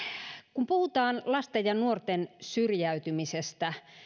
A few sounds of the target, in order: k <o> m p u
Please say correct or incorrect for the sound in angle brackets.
incorrect